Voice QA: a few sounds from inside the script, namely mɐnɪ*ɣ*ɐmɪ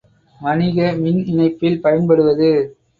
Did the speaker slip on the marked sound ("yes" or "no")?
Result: no